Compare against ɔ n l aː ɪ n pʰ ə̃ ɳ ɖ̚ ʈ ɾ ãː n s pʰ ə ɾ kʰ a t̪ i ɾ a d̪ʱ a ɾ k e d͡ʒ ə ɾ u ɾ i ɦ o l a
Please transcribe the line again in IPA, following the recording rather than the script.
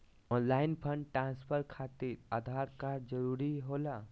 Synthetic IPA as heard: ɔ n l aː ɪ n pʰ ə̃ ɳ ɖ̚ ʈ ɾ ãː n s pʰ ə ɾ kʰ a t̪ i ɾ a d̪ʱ a ɾ k a d͡ʒ ə ɾ u ɾ i ɦ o l a